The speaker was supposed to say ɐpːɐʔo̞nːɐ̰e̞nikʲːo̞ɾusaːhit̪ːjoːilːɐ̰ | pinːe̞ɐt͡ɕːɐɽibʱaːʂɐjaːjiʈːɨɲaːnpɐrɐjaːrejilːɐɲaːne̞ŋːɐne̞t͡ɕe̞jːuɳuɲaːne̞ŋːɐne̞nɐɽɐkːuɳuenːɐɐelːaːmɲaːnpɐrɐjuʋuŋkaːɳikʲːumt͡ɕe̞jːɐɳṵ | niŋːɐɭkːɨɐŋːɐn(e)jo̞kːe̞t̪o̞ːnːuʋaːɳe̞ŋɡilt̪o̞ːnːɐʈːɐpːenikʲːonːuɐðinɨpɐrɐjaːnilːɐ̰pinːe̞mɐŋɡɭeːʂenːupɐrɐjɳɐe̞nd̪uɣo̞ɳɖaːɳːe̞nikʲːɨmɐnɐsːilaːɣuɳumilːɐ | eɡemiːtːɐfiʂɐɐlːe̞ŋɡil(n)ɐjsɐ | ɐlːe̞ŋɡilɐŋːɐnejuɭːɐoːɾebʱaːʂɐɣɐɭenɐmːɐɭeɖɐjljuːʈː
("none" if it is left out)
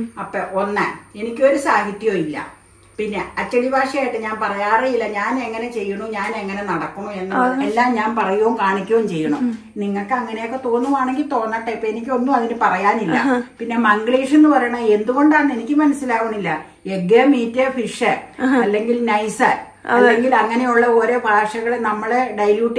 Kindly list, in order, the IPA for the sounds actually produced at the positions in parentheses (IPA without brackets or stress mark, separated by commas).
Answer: e, n